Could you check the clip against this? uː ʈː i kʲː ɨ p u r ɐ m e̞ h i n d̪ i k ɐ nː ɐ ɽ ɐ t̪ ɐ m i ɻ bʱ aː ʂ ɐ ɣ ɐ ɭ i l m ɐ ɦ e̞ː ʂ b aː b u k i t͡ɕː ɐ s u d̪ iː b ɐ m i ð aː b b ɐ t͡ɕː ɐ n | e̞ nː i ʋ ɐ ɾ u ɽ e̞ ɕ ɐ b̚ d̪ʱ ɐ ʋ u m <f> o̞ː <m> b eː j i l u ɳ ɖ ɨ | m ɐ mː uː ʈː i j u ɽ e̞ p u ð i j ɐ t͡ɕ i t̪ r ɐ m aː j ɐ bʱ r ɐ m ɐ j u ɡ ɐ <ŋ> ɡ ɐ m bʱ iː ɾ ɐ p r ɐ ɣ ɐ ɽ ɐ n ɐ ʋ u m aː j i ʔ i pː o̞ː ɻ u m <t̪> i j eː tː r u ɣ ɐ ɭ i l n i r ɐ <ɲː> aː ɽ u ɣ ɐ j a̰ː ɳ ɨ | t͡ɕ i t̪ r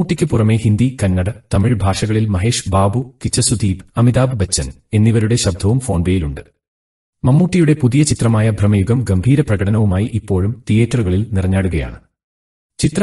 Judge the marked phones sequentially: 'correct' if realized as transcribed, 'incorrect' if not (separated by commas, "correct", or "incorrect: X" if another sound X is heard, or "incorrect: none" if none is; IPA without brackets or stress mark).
correct, incorrect: ɳ, incorrect: m, correct, correct